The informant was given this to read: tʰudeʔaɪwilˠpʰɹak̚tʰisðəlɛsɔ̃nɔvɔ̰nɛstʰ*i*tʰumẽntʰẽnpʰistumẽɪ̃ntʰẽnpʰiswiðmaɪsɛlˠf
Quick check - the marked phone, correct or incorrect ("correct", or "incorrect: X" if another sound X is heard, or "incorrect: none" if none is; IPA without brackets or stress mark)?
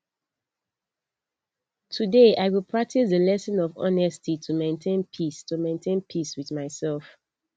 correct